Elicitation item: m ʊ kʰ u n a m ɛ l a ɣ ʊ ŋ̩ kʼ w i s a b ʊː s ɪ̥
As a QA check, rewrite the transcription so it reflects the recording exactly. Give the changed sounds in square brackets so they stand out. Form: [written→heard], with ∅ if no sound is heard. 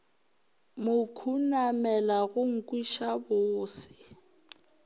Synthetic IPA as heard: m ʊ kʰ u n a m ɛ l a ɣ ʊ ŋ̩ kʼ w i [s→ʃ] a b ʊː s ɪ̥